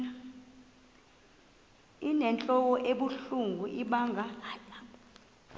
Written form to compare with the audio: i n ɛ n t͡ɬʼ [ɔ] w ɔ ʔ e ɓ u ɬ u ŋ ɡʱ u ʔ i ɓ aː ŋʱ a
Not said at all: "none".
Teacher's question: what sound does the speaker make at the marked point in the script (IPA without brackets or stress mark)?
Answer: ɔ